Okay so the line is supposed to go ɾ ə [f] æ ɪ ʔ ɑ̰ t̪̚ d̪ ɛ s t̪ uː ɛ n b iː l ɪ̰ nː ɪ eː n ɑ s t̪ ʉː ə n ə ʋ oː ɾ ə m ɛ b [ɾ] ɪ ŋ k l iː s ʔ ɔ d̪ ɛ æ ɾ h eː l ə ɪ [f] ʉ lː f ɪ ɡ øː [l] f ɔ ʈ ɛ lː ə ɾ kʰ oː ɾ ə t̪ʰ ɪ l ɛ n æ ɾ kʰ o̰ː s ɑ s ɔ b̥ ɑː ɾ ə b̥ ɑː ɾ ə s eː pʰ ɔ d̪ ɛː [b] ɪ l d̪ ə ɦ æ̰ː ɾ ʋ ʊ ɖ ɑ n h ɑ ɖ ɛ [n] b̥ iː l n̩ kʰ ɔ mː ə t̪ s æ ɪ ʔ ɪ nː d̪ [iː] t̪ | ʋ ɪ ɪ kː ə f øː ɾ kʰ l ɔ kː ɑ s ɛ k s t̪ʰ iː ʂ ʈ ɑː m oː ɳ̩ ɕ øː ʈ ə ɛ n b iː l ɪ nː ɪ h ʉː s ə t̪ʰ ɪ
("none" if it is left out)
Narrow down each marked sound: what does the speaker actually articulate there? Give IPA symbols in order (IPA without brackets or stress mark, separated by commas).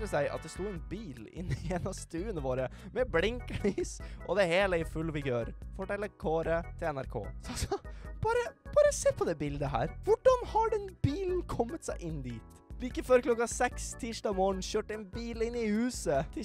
s, l, f, ɾ, b, n, iː